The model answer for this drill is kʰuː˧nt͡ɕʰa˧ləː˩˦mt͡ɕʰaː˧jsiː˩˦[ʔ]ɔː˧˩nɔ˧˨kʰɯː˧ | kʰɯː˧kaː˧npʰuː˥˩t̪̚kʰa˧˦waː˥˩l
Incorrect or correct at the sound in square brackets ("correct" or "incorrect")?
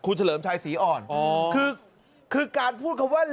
correct